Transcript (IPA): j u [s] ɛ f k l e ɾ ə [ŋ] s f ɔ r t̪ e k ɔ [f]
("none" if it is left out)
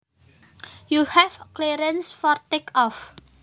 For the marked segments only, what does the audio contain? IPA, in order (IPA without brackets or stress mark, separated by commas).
h, n, f